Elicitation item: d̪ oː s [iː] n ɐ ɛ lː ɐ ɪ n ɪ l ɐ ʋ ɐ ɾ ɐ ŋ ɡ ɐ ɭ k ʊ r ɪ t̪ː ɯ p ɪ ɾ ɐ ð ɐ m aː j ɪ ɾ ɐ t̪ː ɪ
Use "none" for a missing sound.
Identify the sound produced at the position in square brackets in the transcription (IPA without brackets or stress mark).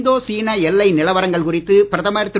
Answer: iː